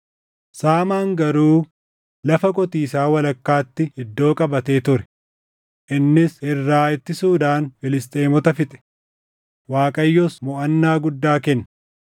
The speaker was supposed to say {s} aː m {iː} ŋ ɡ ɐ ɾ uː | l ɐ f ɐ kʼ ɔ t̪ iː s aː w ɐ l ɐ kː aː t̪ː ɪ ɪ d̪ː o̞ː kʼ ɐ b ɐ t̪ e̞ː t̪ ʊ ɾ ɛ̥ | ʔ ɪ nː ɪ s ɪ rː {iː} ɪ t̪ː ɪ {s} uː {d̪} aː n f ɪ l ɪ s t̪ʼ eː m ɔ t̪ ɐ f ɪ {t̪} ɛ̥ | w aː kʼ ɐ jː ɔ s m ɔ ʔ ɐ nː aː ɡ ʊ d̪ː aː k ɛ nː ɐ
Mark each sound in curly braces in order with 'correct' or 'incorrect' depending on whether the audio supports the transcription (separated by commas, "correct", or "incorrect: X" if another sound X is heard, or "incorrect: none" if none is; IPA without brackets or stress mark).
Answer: correct, incorrect: aː, incorrect: aː, correct, correct, incorrect: t̪ʼ